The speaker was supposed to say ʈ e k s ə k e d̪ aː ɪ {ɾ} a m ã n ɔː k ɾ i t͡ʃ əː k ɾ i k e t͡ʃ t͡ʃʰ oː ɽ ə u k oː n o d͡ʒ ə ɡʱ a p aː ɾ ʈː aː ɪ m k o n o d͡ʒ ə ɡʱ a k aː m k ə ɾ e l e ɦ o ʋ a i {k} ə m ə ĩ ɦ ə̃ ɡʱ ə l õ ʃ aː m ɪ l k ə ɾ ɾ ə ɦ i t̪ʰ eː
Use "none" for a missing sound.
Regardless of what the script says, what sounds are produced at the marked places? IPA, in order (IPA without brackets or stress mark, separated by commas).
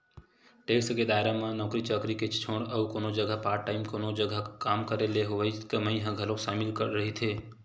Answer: ɾ, k